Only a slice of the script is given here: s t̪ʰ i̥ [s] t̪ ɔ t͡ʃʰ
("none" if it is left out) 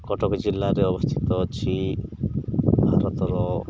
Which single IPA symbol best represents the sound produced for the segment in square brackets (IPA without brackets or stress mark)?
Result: none